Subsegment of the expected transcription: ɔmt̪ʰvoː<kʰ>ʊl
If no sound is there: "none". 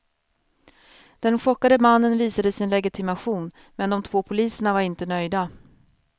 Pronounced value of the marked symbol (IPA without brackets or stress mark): pʰ